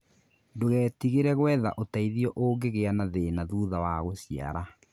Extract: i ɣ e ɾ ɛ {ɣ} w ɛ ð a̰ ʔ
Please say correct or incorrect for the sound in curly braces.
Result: correct